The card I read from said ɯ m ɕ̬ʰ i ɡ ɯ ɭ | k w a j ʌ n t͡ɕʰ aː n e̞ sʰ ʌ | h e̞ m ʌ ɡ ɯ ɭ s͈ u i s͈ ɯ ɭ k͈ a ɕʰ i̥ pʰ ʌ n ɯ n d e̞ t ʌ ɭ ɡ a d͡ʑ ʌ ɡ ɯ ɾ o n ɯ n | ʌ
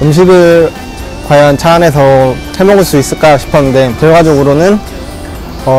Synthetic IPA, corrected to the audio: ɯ m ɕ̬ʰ i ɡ ɯ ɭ | k w a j ʌ n t͡ɕʰ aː n e̞ sʰ ʌ | h e̞ m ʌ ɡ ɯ ɭ s͈ u i s͈ ɯ ɭ k͈ a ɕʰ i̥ pʰ ʌ n ɯ n d e̞ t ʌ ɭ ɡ a d͡ʑ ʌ ɡ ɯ ɾ o n ɯ n | ʌ